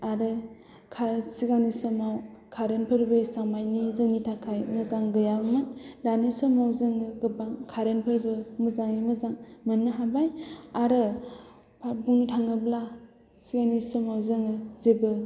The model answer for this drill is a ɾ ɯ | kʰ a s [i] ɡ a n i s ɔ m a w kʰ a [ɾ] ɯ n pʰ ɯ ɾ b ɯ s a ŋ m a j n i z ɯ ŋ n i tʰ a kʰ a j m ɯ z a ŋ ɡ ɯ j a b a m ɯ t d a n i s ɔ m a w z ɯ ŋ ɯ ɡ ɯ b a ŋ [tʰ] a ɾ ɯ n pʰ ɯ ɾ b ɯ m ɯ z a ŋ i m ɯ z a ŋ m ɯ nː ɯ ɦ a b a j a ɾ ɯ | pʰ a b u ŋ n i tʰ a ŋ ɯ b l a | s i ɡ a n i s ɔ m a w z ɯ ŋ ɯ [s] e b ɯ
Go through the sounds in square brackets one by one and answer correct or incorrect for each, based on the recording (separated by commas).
correct, correct, incorrect, incorrect